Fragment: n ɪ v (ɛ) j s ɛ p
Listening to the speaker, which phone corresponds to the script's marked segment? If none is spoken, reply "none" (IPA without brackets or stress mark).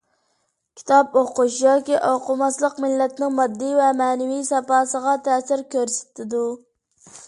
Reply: i